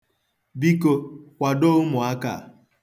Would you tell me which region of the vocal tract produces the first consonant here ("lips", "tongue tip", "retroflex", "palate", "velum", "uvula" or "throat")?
lips